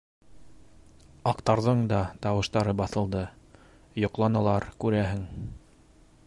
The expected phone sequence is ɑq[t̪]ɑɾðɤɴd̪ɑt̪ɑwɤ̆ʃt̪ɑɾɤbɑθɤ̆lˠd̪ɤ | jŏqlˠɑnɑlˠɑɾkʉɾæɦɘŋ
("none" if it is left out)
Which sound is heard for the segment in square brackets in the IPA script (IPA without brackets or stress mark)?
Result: t̪